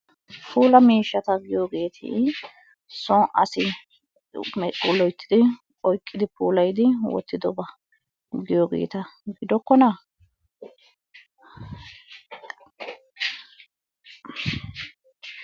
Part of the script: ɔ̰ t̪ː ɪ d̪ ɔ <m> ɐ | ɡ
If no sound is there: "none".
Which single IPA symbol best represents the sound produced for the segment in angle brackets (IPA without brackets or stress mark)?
b